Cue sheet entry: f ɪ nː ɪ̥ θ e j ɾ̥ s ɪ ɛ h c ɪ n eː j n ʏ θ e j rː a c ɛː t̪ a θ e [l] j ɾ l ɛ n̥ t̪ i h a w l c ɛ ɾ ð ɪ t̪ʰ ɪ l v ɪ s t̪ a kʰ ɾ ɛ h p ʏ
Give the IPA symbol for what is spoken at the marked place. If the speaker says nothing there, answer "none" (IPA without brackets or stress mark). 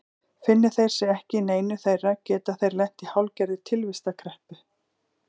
none